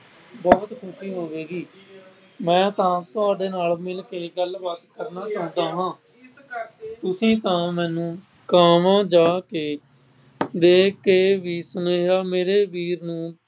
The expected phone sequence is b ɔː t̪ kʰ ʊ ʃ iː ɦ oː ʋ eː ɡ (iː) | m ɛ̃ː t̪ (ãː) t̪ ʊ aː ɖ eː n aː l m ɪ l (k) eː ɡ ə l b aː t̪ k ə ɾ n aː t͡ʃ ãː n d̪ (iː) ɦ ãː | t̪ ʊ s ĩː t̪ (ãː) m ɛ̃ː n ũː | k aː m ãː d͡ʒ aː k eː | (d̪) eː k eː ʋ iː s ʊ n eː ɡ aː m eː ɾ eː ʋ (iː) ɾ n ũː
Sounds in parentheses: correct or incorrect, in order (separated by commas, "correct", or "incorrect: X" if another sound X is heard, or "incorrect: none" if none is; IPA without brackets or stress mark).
correct, correct, correct, incorrect: aː, correct, correct, correct